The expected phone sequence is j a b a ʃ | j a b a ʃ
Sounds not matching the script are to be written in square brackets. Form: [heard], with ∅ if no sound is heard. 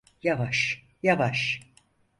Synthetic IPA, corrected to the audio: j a [v] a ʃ | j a [v] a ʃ